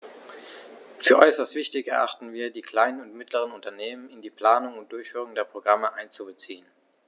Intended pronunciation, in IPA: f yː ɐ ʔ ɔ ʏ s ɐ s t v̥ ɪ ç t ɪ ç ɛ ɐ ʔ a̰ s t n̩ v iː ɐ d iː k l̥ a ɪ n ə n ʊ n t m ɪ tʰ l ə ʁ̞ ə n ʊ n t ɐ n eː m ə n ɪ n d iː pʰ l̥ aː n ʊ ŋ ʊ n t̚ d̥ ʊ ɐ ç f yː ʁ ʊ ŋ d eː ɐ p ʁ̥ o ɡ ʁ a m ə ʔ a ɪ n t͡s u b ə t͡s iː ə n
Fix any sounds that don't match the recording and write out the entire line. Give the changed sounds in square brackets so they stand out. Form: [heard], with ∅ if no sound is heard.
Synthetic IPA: f yː ɐ ʔ ɔ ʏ s ɐ s t v̥ ɪ ç t ɪ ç ɛ ɐ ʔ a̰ [χ] t n̩ v iː ɐ d iː k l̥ a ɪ n ə n ʊ n t m ɪ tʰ l ə ʁ̞ ə n ʊ n t ɐ n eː m ə n ɪ n d iː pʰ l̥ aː n ʊ ŋ ʊ n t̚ d̥ ʊ ɐ ç f yː ʁ ʊ ŋ d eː ɐ p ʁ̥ o ɡ ʁ a m ə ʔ a ɪ n t͡s u b ə t͡s iː ə n